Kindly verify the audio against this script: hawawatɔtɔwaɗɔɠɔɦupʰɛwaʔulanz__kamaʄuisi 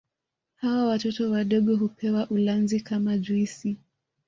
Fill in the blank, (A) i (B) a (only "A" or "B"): A